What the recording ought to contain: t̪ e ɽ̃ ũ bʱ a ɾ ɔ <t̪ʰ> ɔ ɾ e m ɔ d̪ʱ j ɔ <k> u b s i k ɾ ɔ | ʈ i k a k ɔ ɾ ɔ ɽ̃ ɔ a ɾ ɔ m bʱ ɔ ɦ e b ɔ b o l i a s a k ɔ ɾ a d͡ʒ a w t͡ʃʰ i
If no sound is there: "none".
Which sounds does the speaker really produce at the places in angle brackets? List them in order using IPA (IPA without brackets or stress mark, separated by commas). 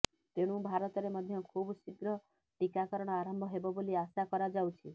t̪, kʰ